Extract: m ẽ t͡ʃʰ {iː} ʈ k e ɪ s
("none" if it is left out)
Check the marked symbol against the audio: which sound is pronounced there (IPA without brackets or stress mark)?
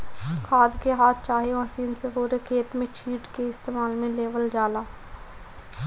iː